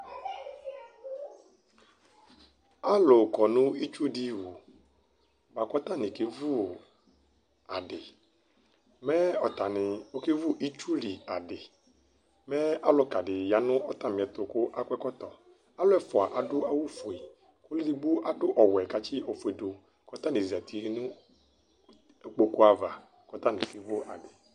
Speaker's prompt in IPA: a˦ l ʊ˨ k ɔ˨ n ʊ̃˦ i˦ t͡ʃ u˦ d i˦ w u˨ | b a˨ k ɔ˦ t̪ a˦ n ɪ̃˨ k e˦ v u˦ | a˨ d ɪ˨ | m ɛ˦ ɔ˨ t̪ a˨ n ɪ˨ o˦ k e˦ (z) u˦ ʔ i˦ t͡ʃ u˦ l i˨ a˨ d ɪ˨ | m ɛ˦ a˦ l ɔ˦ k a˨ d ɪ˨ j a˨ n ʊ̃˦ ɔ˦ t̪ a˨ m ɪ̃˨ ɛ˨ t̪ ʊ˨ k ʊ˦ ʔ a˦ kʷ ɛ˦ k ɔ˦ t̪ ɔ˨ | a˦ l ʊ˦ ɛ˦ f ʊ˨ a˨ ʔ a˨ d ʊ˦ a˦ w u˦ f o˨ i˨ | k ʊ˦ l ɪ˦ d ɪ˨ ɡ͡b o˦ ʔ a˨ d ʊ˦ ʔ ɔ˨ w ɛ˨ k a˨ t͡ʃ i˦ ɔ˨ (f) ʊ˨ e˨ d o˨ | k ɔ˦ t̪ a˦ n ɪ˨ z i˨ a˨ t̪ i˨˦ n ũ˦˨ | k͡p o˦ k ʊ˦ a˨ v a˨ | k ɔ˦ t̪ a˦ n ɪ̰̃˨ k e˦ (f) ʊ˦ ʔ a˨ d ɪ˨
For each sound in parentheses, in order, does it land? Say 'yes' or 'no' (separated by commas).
no, yes, no